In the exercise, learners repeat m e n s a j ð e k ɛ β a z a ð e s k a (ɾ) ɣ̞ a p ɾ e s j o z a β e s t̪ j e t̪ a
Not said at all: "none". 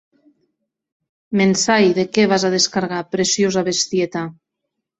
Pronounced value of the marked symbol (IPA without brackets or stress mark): ɾ